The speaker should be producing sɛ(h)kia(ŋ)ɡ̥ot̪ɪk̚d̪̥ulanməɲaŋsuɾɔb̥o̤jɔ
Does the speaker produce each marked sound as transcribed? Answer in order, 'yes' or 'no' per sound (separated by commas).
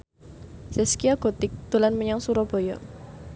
no, no